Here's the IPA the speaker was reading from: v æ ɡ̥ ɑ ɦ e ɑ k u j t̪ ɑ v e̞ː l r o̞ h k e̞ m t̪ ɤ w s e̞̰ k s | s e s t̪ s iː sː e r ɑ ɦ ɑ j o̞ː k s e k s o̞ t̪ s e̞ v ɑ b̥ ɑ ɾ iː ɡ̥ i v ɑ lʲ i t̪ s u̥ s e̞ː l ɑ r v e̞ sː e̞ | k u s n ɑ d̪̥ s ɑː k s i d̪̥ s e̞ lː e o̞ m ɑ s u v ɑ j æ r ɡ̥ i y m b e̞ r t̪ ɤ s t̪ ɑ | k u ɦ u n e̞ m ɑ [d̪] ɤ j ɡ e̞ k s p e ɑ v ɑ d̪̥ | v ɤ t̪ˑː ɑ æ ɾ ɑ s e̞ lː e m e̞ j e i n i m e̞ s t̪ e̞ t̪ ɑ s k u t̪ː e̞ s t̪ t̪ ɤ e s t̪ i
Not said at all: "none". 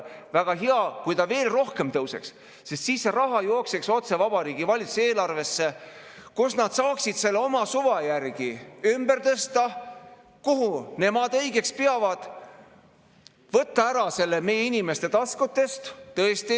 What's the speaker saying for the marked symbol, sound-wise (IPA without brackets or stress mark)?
d̪